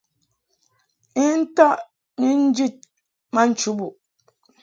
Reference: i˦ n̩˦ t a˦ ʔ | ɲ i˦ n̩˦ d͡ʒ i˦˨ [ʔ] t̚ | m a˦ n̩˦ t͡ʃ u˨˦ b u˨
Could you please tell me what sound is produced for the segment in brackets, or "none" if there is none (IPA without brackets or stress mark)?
none